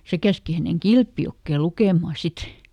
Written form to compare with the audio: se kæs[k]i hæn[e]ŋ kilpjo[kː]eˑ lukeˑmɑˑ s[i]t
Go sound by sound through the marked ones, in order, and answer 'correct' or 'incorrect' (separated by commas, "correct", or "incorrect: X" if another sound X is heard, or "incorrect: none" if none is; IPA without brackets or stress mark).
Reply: correct, correct, correct, correct